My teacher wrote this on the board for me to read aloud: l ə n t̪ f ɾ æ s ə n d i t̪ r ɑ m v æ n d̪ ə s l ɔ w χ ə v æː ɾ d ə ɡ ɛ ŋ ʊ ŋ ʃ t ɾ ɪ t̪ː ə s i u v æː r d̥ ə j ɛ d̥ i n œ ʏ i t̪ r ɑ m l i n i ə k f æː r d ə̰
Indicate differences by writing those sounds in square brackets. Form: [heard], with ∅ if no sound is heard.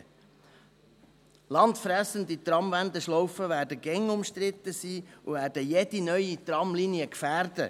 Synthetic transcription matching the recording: l [ɑ] n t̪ f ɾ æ s ə n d i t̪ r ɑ m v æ n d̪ ə [ʃ] l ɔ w [f] ə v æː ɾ d ə ɡ ɛ ŋ ʊ [m] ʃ t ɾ ɪ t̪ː ə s [iː] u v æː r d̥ ə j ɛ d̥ i n œ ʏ i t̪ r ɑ m l i n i ə k f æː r d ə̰